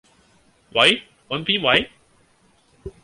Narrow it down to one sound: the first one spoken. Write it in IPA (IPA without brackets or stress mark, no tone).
w